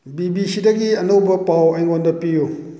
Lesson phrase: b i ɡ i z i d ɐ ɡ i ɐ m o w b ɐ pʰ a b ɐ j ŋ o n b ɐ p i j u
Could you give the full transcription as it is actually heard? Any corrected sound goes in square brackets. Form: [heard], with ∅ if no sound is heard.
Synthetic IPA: b i [b] i [s] i d ɐ ɡ i ɐ [n] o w b ɐ [p] a [w] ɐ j ŋ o n [d] ɐ p i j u